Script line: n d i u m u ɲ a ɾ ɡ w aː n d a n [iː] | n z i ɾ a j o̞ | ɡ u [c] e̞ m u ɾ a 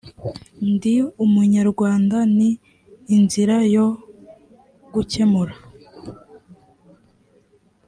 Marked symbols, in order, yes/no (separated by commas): yes, yes